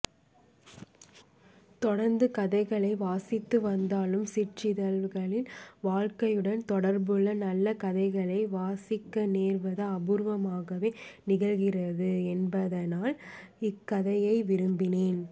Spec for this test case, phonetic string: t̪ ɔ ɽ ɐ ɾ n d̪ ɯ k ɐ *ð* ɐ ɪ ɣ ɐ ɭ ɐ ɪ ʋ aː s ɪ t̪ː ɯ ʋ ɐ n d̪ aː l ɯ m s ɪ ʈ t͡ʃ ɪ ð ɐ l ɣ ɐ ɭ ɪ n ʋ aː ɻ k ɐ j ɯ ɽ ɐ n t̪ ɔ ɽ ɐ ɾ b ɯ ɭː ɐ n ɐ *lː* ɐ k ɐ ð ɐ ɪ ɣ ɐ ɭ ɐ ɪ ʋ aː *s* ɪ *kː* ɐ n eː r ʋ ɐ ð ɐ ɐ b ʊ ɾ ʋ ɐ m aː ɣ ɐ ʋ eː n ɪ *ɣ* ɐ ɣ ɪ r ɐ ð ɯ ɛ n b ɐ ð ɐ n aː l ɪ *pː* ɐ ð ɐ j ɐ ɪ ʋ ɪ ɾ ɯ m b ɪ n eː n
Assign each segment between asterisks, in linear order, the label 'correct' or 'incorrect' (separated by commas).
correct, correct, correct, correct, correct, incorrect